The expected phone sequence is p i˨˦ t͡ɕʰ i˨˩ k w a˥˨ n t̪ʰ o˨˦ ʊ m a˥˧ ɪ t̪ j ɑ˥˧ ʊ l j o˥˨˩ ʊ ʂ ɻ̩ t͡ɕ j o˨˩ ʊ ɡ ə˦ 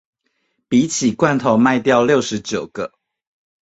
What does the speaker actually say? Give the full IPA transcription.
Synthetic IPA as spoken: p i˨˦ t͡ɕʰ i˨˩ k w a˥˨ n t̪ʰ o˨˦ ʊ m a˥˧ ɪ t̪ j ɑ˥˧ ʊ l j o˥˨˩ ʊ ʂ ɻ̩ t͡ɕ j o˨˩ ʊ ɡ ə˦